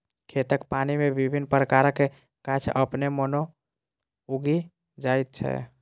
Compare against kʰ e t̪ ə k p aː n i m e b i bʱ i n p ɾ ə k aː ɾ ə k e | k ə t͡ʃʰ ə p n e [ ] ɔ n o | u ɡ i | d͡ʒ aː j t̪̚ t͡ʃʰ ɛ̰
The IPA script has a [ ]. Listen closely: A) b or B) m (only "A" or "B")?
B